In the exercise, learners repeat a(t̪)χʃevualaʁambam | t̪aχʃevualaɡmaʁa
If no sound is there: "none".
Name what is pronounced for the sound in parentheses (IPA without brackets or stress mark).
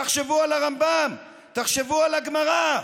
none